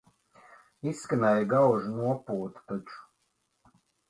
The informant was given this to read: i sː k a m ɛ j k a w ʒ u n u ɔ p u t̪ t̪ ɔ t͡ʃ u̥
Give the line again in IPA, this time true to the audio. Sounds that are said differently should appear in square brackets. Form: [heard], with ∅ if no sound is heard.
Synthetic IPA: i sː k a [n] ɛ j [ɡ] a w ʒ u n u ɔ p [uː] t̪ t̪ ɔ t͡ʃ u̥